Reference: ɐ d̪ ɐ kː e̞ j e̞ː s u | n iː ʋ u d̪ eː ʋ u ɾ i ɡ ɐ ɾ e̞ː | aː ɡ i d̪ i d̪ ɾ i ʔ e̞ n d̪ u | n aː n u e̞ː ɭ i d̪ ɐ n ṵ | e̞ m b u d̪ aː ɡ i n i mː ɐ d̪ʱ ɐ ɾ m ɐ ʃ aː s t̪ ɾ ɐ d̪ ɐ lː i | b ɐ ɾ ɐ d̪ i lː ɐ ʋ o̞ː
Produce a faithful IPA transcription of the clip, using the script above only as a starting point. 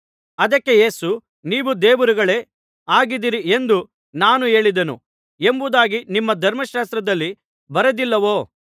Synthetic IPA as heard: ɐ d̪ ɐ kː e̞ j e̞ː s u | n iː ʋ u d̪ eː ʋ u ɾ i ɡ ɐ ɭ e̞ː | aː ɡ i d̪ i ɾ i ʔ e̞ n d̪ u | n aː n u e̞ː ɭ i d̪ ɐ n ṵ | e̞ m b u d̪ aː ɡ i n i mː ɐ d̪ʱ ɐ ɾ m ɐ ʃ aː s t̪ ɾ ɐ d̪ ɐ lː i | b ɐ ɾ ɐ d̪ i lː ɐ ʋ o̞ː